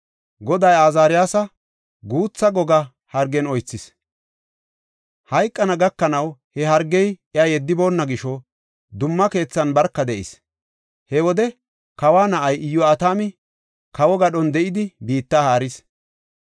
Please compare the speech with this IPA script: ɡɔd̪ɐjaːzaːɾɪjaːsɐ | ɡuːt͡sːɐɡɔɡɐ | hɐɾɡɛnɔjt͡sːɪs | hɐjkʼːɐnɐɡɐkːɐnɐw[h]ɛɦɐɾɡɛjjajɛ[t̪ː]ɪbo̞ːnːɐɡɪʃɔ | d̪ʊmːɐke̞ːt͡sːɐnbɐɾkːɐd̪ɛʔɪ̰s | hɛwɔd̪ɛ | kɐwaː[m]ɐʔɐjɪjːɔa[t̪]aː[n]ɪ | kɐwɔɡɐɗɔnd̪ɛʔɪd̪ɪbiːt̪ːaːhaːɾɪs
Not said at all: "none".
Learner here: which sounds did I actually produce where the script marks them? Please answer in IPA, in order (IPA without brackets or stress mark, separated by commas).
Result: h, d̪ː, n, t̪, m